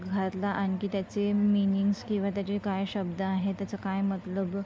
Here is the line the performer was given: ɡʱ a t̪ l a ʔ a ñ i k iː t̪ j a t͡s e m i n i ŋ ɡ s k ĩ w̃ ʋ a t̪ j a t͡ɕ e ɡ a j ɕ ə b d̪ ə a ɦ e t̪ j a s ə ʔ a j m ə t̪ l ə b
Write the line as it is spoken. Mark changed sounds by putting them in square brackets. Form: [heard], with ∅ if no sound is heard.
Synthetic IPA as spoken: ɡʱ a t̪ l a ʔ a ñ i k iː t̪ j a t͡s e m i n i ŋ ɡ s k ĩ w̃ ʋ a t̪ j a t͡ɕ e [k] a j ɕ ə b d̪ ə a ɦ e t̪ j a [t͡s] ə [k] a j m ə t̪ l ə b